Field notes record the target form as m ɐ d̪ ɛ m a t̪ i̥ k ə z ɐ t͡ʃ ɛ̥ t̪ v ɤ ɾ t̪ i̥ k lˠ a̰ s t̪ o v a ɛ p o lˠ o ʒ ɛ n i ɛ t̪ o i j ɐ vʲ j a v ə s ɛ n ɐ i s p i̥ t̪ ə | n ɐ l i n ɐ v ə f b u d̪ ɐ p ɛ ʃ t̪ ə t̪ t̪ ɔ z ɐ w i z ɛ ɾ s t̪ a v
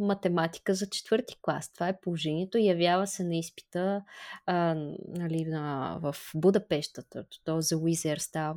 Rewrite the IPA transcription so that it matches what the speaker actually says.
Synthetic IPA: m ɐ t̪ ɛ m a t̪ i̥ k ə z ɐ t͡ʃ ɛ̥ t̪ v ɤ ɾ t̪ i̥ k lˠ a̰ s t̪ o v a ɛ p o lˠ o ʒ ɛ n i ɛ t̪ o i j ɐ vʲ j a v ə s ɛ n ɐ i s p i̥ t̪ ə | n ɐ l i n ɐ v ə f b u d̪ ɐ p ɛ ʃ t̪ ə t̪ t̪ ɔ z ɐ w i z ɛ ɾ s t̪ a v